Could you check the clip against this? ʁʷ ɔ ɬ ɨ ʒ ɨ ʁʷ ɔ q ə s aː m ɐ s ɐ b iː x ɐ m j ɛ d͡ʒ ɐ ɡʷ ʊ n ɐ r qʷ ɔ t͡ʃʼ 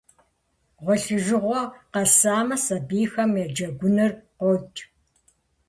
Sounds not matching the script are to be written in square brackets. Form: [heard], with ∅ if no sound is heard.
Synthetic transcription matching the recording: ʁʷ ɔ ɬ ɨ ʒ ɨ ʁʷ ɔ q [ɐ] s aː m ɐ s ɐ b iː x ɐ m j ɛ d͡ʒ ɐ ɡʷ ʊ n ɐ r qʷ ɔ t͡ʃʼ